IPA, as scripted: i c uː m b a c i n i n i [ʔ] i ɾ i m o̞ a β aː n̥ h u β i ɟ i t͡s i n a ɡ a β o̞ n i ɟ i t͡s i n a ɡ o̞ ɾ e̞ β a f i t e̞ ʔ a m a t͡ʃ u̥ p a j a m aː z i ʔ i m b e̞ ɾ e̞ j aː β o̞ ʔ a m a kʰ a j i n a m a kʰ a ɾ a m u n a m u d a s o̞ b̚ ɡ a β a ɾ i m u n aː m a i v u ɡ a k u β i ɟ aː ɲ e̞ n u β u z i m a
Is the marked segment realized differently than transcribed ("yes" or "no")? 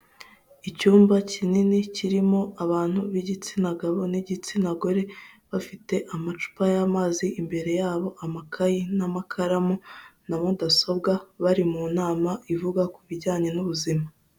yes